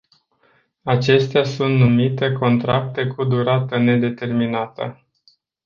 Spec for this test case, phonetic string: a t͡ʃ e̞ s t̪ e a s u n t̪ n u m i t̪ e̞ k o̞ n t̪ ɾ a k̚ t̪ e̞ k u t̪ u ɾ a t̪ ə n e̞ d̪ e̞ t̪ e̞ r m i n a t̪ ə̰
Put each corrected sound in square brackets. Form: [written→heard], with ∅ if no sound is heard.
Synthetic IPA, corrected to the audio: a t͡ʃ e̞ s t̪ e a s u n t̪ n u m i t̪ e̞ k o̞ n t̪ ɾ a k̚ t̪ e̞ k u [t̪→d̪] u ɾ a t̪ ə n e̞ d̪ e̞ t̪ e̞ r m i n a t̪ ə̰